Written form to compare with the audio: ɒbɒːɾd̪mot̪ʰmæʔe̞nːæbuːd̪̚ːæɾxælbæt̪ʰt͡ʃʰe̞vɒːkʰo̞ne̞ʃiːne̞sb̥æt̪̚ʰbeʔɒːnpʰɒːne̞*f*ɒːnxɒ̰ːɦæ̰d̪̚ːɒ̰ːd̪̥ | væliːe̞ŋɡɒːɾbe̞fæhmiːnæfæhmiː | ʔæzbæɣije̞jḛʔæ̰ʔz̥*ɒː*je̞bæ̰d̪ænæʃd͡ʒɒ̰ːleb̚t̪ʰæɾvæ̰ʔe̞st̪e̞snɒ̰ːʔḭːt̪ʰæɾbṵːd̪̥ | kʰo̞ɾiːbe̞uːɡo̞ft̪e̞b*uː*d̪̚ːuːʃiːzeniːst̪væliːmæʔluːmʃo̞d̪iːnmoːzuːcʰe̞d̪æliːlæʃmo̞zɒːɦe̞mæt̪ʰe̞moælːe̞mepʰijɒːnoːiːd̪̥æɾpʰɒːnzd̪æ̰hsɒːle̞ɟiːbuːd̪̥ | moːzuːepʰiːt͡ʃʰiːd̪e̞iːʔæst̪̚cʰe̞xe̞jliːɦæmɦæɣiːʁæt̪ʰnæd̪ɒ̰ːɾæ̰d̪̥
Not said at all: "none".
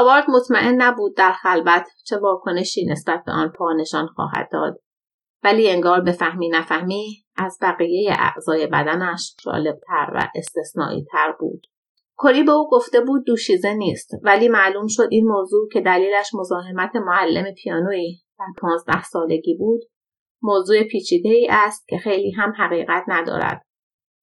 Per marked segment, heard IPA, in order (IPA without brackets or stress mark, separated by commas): ʃ, ɒː, uː